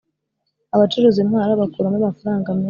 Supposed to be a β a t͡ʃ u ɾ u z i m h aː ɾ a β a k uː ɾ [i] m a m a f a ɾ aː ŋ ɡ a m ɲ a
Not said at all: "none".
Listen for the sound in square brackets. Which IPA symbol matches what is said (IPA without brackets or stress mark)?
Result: a